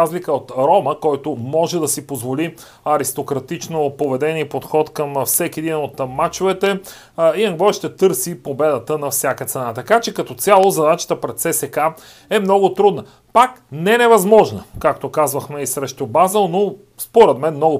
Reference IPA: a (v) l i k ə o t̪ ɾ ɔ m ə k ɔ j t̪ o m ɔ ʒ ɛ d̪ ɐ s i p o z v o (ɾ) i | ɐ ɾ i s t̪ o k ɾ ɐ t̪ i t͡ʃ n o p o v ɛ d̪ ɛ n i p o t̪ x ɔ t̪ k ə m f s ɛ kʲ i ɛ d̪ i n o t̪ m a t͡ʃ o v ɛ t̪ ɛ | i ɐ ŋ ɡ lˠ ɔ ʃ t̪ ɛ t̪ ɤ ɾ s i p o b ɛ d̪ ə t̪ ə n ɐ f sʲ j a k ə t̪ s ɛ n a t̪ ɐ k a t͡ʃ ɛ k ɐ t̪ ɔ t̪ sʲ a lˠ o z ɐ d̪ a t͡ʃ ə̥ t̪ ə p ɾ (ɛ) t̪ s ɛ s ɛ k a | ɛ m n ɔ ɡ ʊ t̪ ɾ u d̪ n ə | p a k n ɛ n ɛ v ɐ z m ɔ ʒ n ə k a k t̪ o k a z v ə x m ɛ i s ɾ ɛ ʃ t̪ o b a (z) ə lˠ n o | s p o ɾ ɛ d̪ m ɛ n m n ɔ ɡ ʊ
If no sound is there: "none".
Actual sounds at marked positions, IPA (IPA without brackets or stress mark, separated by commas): z, l, ɛ, z